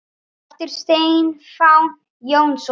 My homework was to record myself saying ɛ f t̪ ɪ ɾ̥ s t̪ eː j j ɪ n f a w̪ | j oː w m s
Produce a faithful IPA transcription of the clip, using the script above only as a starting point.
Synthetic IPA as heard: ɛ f t̪ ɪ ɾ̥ s t̪ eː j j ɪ n f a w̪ | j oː w n s